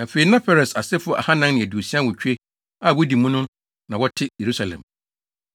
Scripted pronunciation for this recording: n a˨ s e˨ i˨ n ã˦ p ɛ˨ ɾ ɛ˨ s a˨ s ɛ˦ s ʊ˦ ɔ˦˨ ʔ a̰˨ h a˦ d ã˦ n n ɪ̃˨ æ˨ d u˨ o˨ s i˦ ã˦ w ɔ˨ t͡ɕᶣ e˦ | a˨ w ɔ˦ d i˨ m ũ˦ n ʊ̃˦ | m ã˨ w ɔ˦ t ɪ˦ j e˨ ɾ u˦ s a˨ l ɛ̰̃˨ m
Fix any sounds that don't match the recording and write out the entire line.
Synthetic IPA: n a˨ f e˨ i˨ n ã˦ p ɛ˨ ɾ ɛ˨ s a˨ s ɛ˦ f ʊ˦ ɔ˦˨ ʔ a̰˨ h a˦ n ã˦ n n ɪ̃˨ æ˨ d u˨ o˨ s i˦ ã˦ w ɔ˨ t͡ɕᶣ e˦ | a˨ w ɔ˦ d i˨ m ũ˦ n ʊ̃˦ | n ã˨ w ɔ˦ tʰ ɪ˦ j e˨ ɾ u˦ s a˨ l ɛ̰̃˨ m